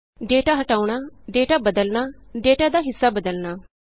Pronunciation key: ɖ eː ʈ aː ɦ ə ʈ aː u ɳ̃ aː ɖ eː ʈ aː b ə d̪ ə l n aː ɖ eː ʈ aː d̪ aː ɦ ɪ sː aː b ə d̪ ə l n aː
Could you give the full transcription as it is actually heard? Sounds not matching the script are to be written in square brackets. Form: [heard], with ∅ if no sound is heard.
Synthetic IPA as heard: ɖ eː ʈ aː ɦ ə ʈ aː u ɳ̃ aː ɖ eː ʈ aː b ə d̪ ə l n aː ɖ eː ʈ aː d̪ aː ɦ ɪ sː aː b ə d̪ ə l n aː